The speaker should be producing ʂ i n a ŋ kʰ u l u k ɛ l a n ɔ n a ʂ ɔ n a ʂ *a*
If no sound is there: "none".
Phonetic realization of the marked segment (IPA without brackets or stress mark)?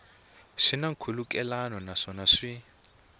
i